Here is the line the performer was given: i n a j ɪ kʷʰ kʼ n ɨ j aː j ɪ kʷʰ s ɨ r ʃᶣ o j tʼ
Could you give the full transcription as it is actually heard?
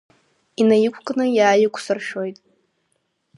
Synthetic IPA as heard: i n a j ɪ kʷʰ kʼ n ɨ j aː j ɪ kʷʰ s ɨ r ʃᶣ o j tʼ